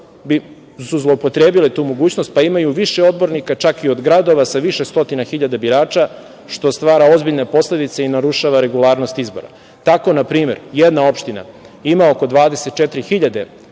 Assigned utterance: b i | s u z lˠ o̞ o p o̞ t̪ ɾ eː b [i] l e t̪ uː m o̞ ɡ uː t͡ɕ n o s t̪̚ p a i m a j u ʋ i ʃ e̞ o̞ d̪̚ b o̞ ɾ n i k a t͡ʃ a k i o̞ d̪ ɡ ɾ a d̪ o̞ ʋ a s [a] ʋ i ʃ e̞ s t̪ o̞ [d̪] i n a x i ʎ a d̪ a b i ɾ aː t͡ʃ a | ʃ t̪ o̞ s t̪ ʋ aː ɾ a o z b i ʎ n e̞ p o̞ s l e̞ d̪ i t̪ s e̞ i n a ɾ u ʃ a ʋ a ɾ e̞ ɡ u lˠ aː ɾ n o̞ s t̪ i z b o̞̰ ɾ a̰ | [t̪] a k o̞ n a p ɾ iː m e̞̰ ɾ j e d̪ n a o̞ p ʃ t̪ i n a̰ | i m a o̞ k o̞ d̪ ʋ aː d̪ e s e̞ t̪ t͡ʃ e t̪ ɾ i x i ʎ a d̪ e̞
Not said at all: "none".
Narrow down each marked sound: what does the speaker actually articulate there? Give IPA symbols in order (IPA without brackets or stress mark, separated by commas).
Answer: i, a, t̪, t̪